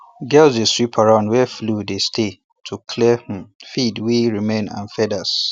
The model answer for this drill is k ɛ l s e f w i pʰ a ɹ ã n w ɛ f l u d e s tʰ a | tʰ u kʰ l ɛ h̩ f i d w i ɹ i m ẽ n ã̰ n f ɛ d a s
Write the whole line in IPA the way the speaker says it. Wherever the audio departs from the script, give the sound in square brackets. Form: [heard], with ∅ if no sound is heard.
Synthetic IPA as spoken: [ɡ] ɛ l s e [s] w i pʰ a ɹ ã n w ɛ f l u d e s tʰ [e] | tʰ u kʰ l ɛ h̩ f i d w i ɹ i m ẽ n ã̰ n f ɛ d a s